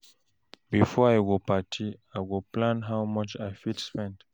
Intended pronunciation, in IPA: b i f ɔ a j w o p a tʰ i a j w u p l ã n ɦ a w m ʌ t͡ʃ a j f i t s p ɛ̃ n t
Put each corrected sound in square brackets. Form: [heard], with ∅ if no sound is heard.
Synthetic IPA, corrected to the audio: b i f ɔ a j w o p a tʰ i a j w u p l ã n ɦ a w m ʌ t͡ʃ a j f i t s p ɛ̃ n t